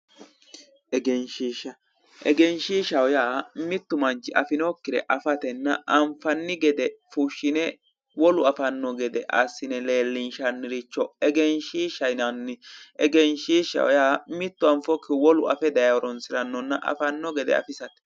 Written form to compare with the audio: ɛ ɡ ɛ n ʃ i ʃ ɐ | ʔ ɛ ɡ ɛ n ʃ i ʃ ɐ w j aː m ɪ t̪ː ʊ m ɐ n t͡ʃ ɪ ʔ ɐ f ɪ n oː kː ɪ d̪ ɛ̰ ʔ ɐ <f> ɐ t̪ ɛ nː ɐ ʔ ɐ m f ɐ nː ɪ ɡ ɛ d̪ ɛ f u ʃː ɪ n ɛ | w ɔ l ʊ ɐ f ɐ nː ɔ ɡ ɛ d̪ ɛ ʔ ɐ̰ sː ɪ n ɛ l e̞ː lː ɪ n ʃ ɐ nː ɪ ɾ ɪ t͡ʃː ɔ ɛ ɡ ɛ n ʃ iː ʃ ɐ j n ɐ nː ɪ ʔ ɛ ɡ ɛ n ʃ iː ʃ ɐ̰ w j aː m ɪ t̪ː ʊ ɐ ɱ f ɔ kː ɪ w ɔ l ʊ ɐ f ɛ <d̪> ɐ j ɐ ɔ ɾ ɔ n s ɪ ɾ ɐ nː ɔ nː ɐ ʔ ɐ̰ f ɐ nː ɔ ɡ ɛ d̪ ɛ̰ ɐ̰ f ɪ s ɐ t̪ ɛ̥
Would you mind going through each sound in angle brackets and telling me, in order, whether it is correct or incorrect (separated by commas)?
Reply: correct, correct